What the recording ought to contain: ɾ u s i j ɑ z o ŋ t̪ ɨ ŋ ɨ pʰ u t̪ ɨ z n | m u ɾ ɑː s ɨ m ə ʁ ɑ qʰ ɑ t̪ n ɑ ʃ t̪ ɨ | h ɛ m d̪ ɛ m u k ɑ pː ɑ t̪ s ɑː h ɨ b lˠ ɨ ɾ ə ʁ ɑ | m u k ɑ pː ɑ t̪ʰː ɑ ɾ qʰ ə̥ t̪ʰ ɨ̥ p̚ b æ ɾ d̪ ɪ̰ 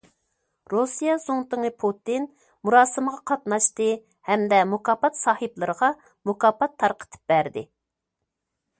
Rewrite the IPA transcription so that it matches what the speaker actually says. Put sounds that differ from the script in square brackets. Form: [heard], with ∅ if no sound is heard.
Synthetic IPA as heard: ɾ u s i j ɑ z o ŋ t̪ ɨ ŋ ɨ pʰ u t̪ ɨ [∅] n | m u ɾ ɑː s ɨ m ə ʁ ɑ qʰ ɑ t̪ n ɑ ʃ t̪ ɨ | h ɛ m d̪ ɛ m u k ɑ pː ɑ t̪ s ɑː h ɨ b lˠ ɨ ɾ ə ʁ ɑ | m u k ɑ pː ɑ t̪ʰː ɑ ɾ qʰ ə̥ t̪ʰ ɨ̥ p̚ b æ ɾ d̪ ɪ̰